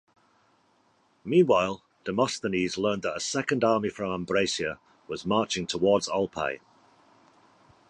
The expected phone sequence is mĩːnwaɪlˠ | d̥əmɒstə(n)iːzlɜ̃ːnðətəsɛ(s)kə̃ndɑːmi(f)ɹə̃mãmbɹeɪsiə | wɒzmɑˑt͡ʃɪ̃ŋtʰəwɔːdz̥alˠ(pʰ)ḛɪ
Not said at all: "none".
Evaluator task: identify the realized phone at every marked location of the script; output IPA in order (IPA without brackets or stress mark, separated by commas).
n, none, f, pʰ